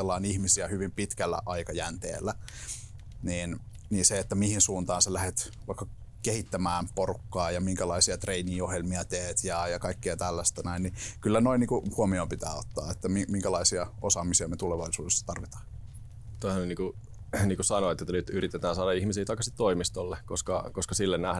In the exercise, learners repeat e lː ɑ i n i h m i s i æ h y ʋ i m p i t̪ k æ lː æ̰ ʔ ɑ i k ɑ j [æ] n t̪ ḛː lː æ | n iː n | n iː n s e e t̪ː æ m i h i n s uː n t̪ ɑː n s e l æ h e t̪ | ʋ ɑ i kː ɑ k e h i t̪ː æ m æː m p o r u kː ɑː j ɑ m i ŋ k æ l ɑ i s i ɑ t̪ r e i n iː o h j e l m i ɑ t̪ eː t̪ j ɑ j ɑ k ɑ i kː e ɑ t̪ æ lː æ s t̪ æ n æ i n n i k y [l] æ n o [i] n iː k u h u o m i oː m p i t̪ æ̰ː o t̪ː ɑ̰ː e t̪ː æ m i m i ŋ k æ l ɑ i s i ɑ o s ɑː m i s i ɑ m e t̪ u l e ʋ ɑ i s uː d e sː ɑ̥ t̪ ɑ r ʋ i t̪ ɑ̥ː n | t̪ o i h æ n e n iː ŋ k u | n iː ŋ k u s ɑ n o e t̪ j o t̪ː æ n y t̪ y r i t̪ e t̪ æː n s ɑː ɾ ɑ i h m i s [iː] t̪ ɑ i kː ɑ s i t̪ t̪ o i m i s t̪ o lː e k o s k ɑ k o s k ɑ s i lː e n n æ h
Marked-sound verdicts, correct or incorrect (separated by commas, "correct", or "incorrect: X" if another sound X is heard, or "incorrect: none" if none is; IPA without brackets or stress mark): correct, incorrect: lː, correct, correct